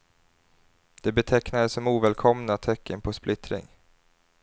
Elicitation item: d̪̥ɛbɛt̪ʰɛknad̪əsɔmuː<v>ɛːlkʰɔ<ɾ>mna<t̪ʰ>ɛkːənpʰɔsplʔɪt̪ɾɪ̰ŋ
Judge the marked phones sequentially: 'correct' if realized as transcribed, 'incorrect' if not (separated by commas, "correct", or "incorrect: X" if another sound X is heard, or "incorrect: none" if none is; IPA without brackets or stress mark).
correct, incorrect: none, correct